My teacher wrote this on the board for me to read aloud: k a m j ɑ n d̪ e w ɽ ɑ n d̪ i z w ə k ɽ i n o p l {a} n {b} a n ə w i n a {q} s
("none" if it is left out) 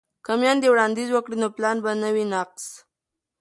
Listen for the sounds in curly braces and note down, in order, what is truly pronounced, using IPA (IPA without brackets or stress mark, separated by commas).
ɑ, b, q